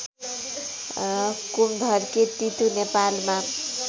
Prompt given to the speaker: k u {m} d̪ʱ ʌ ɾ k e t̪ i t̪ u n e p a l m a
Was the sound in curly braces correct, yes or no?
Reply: yes